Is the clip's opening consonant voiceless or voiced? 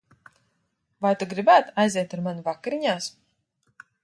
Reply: voiced